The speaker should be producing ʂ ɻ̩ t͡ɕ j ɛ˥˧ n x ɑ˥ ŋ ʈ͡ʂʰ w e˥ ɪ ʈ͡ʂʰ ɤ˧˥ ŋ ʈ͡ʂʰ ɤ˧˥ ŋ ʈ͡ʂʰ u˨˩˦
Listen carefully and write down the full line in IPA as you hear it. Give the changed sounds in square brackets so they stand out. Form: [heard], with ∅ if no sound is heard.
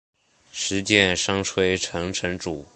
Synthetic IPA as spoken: ʂ ɻ̩ t͡ɕ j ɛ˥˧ n [ʂ] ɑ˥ ŋ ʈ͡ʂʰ w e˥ ɪ ʈ͡ʂʰ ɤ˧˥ ŋ ʈ͡ʂʰ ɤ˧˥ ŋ [ʈ͡ʂ] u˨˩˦